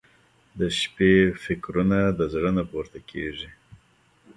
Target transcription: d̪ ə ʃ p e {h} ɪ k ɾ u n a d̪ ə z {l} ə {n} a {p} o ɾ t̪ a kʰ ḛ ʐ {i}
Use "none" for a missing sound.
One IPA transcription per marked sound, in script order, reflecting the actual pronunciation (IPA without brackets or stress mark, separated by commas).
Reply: f, ɽ, n, p, i